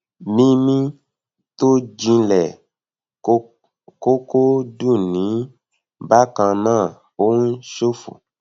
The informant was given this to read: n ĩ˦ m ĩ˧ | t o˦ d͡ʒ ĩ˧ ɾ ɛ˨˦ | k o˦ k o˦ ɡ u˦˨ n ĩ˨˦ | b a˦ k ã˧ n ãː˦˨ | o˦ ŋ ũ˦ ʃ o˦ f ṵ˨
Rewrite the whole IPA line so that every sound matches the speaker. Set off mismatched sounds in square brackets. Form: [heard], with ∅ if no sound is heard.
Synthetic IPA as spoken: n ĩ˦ m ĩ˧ | t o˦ d͡ʒ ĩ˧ [l] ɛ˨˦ | k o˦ k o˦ [d] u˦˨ n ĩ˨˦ | b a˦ k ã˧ n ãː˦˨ | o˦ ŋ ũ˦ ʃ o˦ f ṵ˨